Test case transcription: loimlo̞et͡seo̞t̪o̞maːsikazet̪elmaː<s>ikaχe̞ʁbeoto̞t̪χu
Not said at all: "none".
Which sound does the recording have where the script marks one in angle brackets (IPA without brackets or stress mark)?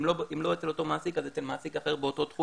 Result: s